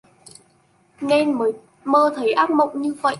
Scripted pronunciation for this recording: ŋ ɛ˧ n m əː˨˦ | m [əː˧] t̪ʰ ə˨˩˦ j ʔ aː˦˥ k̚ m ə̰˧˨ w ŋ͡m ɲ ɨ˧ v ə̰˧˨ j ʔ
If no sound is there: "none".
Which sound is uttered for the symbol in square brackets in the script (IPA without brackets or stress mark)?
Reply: əː˧